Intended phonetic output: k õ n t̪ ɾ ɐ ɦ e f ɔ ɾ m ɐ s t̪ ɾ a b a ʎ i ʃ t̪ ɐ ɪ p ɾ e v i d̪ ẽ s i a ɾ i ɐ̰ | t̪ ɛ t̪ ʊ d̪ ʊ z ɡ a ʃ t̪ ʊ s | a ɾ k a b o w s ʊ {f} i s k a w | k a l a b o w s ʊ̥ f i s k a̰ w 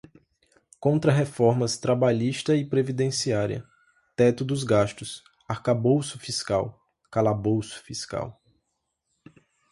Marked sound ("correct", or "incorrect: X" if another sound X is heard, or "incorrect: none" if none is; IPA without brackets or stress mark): correct